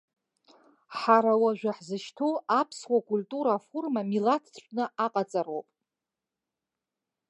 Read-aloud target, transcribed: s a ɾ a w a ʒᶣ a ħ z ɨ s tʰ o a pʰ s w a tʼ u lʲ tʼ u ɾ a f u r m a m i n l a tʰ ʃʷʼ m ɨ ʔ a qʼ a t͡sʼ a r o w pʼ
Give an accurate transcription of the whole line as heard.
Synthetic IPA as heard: ħ a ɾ a w a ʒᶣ a ħ z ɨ ʃ tʰ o a pʰ s w a kʼ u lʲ tʼ u ɾ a f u r m a m i l a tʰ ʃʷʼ n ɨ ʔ a qʼ a t͡sʼ a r o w pʼ